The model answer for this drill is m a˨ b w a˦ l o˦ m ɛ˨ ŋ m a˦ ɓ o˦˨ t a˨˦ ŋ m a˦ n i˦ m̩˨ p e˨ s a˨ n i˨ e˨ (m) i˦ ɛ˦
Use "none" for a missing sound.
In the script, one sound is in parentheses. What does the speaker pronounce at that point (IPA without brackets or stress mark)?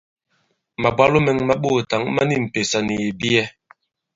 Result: b